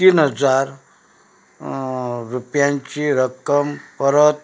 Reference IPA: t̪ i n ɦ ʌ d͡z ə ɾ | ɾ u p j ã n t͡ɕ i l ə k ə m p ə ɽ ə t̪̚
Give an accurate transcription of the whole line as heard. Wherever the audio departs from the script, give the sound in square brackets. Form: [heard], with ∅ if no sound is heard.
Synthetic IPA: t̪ i n ɦ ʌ d͡z [a] ɾ | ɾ u p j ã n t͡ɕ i [ɾ] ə k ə m p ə [ɾ] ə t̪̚